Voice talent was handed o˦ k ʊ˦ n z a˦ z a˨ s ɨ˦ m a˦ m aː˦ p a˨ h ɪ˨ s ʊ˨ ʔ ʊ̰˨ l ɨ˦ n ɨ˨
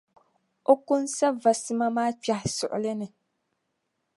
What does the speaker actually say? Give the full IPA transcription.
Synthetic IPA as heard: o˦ k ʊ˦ n s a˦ v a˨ s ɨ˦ m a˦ m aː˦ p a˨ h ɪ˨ s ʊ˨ ʔ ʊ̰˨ l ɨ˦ n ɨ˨

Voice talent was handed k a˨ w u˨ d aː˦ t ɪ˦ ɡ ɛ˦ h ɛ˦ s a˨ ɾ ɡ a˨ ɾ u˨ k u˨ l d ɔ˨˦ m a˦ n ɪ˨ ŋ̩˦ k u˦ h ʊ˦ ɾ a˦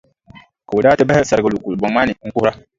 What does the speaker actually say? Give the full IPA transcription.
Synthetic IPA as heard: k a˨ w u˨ d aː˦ t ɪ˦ b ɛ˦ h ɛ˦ s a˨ ɾ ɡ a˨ l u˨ k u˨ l b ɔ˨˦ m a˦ n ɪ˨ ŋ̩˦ k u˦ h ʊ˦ ɾ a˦

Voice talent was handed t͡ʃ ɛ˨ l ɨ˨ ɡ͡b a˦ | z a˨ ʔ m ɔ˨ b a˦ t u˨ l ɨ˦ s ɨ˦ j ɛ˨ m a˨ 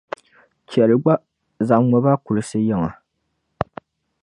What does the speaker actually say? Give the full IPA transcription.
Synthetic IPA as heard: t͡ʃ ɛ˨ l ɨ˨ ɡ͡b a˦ | z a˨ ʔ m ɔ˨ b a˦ k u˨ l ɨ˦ s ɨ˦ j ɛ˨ ŋ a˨

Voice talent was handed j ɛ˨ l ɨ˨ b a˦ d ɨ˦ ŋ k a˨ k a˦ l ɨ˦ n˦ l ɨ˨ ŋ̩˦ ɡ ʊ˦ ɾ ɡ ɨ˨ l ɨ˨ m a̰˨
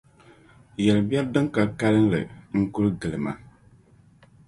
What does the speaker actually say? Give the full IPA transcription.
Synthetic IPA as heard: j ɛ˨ l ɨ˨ b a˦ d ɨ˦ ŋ k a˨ k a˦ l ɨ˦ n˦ l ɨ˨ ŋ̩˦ k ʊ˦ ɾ ɡ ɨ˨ l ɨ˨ m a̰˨

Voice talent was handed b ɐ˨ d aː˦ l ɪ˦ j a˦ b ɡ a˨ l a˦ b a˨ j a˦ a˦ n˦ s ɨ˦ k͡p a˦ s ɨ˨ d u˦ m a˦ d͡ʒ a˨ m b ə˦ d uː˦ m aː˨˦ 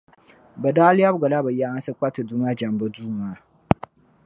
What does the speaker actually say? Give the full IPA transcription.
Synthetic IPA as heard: b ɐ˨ d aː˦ l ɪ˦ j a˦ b ɡ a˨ l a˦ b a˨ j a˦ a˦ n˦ s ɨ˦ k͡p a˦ t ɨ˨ d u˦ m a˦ d͡ʒ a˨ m b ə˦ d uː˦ m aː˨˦

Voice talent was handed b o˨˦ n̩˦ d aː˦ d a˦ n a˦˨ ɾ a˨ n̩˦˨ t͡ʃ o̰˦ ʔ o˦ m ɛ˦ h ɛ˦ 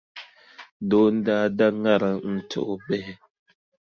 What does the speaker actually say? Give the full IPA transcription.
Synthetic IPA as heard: d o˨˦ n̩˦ d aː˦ d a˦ ŋ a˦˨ ɾ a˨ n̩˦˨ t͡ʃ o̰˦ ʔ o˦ b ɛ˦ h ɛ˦

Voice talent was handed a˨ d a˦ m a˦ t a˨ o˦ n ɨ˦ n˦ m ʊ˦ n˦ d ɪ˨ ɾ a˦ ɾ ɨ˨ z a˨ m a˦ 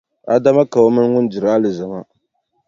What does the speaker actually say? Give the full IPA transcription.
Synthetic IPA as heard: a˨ d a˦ m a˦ k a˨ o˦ m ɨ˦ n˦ ŋ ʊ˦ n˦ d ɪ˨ ɾ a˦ l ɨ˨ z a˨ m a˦

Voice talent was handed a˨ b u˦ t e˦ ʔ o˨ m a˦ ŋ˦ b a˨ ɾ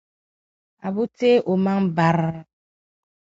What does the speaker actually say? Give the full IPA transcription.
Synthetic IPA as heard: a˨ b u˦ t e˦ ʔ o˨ m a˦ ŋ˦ b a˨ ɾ

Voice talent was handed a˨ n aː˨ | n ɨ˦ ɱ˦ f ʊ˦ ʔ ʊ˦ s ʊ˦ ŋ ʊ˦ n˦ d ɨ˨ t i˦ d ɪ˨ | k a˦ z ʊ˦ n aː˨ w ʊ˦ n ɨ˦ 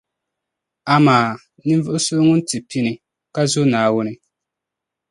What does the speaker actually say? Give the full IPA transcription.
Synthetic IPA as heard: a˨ m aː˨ | n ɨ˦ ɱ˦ v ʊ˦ ʔ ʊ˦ s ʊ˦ ŋ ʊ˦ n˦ t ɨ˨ p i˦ n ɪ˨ | k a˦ z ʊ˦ n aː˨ w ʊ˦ n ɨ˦

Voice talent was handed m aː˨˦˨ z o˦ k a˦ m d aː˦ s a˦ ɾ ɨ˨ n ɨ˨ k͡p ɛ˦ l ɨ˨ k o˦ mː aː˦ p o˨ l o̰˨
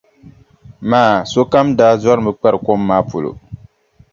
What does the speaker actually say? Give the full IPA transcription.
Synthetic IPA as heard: m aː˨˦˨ s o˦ k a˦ m d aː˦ z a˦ ɾ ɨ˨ m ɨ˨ k͡p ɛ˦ ɾ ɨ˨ k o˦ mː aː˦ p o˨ l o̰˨

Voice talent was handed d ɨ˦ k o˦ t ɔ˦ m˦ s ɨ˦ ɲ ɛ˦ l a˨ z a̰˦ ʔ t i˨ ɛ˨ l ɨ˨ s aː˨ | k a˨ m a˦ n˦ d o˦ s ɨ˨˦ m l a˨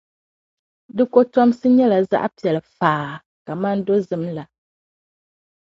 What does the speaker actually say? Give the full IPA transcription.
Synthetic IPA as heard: d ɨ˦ k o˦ t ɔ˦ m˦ s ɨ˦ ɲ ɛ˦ l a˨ z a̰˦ ʔ p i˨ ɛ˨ l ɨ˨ f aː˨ | k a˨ m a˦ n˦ d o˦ z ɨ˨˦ m l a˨

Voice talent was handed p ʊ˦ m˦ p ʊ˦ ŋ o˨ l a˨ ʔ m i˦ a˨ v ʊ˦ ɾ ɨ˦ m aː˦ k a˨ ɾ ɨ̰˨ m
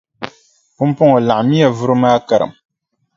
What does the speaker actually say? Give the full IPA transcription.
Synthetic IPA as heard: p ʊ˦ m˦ p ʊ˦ ŋ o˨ l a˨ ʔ m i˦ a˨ v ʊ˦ ɾ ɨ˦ m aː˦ k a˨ ɾ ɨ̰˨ m

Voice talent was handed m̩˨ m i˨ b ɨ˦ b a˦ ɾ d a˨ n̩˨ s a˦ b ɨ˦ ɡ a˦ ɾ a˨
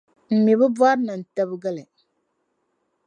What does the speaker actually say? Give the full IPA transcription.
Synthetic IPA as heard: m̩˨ m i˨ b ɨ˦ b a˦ ɾ n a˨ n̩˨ t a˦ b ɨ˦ ɡ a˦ l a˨

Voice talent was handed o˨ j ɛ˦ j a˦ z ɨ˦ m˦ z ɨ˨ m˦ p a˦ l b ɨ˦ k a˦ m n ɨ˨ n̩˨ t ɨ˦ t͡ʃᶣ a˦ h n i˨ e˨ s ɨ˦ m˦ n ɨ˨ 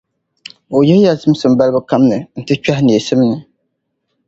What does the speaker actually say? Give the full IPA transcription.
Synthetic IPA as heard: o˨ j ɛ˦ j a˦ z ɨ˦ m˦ s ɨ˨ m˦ b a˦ l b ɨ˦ k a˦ m n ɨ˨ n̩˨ t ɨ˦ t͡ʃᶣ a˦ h n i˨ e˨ s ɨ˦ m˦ n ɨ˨

